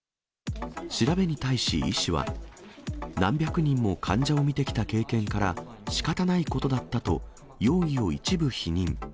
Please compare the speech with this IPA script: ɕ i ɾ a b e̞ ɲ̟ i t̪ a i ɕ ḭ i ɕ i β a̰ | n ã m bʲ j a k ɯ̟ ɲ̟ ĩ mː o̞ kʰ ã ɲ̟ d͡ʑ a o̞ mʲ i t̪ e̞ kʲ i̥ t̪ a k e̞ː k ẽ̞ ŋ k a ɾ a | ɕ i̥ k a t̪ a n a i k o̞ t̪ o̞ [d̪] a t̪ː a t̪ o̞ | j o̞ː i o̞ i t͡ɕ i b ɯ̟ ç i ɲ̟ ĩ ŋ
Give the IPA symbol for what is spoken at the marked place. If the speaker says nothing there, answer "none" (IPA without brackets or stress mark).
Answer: d̪